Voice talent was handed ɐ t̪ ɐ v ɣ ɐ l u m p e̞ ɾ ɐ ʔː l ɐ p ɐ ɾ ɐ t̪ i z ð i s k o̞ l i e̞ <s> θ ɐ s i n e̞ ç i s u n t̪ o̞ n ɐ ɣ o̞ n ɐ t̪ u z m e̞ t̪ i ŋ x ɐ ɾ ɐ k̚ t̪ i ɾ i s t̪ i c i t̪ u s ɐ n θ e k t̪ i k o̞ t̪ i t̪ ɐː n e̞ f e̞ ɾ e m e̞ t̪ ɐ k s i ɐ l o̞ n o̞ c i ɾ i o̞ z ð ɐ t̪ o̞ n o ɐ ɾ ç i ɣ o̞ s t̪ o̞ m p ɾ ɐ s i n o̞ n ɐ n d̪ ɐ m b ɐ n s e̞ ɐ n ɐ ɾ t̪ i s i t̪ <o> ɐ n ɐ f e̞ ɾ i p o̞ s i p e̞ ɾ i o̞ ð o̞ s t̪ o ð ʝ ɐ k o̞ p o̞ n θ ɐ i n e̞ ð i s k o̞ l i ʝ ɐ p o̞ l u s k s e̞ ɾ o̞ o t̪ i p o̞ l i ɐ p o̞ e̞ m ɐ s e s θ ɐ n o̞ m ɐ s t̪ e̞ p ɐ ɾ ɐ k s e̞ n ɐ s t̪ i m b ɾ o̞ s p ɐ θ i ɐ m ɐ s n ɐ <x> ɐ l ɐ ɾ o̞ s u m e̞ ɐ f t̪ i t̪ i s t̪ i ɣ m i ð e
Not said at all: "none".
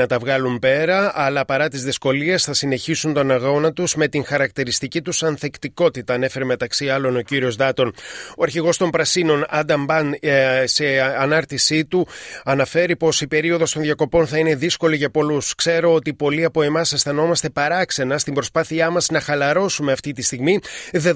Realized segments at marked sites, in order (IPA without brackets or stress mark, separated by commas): s, u, x